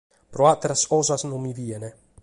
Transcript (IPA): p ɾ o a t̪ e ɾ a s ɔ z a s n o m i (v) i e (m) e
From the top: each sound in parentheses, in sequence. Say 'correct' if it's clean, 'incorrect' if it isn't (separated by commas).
correct, incorrect